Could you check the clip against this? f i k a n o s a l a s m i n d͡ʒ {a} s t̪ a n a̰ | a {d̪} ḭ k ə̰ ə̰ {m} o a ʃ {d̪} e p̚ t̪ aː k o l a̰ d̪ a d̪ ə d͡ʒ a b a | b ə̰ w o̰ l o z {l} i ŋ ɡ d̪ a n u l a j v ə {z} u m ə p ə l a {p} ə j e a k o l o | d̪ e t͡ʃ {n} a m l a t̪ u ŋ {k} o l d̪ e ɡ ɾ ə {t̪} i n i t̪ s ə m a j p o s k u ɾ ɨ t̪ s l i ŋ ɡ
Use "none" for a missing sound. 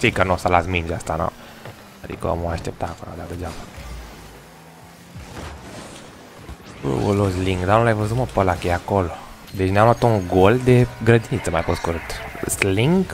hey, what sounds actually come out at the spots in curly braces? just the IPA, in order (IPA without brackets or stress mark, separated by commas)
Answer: a, d̪, m, t̪, l, z, k, n, ɡ, d̪